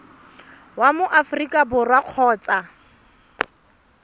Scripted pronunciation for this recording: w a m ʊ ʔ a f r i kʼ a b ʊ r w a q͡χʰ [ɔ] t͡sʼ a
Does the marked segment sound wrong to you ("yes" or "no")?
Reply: yes